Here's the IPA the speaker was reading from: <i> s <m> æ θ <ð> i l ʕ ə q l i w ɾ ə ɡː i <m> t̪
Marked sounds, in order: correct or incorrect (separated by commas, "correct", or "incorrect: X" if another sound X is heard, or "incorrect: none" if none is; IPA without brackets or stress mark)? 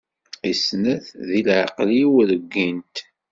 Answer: correct, incorrect: n, correct, incorrect: n